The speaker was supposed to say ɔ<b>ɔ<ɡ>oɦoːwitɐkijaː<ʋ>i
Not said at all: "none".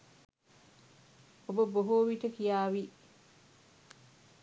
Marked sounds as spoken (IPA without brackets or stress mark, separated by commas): b, b, w